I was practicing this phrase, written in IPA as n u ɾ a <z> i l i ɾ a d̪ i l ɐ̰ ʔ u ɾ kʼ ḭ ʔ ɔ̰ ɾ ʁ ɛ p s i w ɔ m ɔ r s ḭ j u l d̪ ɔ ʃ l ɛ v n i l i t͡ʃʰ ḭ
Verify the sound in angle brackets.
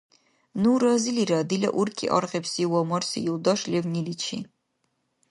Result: correct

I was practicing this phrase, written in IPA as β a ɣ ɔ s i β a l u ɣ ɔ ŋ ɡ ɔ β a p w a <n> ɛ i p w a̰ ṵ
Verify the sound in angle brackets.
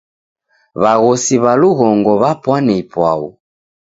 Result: correct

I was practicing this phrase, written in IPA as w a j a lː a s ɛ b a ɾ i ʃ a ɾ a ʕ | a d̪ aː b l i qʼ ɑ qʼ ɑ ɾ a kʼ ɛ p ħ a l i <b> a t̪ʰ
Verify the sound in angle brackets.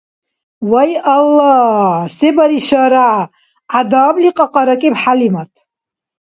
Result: incorrect: m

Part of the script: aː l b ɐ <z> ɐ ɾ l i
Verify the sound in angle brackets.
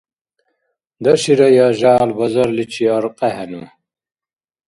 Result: correct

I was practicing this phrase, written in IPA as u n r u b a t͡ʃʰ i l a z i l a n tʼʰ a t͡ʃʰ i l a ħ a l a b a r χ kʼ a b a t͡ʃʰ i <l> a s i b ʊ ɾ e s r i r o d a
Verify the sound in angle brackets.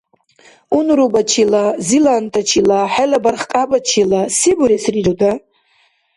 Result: correct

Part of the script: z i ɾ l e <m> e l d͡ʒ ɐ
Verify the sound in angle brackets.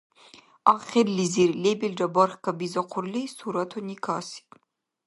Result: incorrect: b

